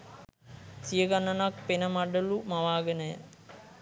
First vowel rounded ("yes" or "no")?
no